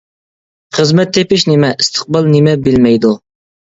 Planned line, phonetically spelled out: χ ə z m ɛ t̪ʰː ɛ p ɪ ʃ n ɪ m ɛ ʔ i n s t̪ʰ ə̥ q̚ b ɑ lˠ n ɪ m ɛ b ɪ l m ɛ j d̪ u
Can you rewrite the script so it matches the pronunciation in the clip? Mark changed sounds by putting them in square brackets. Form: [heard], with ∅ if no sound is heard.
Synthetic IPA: χ ə z m ɛ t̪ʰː [e] p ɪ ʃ n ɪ m ɛ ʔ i [∅] s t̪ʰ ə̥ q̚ b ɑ lˠ n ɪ m ɛ b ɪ l m ɛ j d̪ u